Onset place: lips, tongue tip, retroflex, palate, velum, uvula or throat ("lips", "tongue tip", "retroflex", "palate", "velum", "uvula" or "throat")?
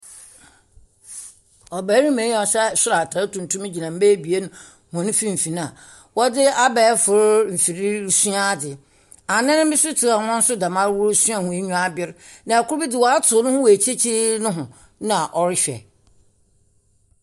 lips